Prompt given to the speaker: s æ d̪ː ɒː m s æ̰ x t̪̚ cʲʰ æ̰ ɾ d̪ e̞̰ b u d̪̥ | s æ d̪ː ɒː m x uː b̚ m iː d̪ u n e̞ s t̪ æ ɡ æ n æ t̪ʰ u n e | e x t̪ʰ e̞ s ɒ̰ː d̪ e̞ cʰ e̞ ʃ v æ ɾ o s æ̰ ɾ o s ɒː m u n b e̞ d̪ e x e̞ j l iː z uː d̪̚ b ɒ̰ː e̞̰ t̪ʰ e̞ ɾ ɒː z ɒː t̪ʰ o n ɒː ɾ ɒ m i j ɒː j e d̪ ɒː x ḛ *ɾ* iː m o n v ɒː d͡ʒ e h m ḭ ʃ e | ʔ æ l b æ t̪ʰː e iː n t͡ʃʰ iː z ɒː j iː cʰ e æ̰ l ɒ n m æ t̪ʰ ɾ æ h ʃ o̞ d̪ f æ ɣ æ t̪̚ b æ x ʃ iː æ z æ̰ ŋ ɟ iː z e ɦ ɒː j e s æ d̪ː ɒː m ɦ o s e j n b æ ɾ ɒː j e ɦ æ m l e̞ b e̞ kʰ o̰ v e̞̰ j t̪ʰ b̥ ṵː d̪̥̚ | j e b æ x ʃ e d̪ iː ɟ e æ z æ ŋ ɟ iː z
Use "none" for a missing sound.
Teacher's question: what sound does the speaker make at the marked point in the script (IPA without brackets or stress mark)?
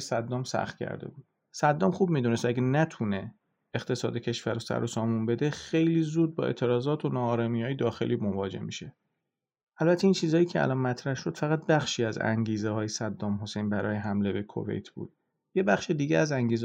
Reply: l